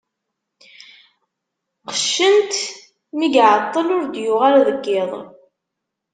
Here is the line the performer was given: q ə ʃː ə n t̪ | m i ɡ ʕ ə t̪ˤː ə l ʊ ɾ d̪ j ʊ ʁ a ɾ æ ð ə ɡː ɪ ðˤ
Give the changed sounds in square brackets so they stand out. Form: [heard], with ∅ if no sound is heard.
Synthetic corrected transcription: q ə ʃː ə n t̪ | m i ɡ ʕ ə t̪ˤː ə l ʊ ɾ d̪ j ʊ ʁ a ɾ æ ð ə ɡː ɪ ðˤ